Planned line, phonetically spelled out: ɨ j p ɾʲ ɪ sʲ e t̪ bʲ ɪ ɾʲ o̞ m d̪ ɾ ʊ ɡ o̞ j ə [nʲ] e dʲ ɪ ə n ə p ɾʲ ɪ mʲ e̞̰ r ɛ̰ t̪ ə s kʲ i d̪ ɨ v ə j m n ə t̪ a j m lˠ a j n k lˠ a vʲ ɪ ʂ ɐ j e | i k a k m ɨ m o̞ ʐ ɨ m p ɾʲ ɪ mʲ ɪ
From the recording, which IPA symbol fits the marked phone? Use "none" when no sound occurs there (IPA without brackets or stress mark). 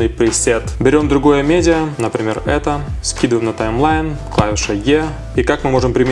mʲ